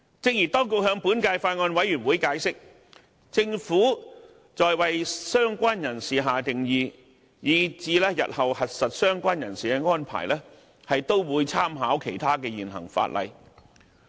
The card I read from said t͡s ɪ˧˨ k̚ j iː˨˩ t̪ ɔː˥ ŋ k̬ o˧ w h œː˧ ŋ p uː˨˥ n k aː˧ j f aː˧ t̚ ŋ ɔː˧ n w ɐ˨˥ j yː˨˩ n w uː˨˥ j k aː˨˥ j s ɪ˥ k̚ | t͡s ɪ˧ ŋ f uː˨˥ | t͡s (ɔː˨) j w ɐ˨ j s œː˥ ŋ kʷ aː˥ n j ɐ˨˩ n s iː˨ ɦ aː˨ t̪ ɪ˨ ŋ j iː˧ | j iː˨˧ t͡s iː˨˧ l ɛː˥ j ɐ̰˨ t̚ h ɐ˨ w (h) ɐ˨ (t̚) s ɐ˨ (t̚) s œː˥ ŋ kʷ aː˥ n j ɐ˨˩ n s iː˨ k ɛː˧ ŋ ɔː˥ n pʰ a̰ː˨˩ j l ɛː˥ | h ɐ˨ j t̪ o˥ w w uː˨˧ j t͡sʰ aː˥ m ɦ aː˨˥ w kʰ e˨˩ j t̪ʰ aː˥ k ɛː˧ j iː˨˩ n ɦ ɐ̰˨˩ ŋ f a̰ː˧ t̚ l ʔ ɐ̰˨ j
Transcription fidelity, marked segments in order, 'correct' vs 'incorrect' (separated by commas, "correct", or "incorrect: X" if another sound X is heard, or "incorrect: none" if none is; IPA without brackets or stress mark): correct, correct, correct, correct